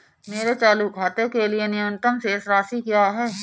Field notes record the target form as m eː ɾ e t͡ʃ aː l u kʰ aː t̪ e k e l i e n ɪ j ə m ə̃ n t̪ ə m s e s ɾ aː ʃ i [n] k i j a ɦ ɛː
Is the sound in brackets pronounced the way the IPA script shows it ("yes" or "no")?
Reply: no